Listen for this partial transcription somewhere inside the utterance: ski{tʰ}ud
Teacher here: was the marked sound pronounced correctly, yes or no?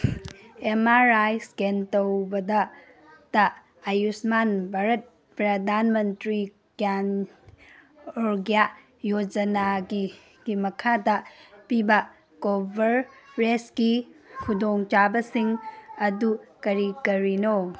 no